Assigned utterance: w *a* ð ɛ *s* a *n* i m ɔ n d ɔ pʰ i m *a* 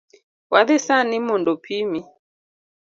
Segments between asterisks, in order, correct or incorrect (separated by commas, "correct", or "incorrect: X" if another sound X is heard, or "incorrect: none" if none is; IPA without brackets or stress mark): correct, correct, correct, incorrect: i